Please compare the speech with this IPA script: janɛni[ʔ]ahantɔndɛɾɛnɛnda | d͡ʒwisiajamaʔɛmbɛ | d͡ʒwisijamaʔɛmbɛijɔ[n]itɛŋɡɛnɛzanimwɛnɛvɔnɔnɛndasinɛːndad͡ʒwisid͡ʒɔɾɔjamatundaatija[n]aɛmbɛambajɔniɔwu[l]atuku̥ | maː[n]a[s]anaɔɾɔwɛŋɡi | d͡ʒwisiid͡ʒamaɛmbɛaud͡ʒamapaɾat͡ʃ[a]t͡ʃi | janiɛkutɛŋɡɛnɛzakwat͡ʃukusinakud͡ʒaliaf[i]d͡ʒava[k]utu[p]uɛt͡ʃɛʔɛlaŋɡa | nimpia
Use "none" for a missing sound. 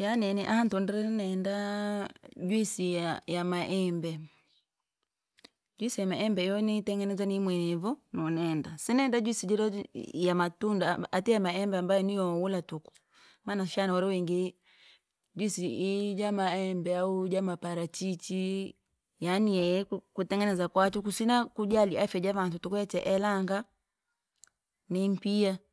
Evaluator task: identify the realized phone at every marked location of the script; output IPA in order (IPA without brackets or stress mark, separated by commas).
ʔ, n, m, l, n, ʃ, i, ɛ, t, k